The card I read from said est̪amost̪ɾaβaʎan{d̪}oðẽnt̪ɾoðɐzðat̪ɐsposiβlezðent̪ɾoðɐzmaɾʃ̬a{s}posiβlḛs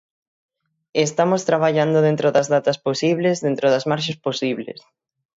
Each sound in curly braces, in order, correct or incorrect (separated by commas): correct, correct